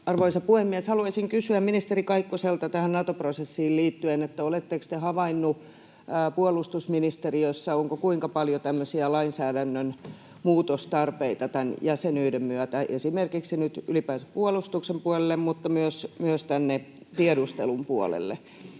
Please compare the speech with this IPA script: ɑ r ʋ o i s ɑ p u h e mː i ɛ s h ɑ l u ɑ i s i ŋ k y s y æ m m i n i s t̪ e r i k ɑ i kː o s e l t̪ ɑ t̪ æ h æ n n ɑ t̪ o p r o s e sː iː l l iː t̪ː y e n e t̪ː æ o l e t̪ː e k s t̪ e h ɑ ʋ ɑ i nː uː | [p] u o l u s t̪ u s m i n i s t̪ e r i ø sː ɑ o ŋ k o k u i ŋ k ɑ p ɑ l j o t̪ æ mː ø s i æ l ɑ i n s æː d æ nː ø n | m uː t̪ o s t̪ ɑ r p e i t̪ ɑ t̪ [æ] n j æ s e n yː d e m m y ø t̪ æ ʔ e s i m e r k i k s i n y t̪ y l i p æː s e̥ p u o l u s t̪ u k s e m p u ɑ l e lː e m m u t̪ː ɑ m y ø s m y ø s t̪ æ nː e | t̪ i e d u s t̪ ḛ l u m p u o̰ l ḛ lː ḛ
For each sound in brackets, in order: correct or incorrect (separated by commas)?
correct, correct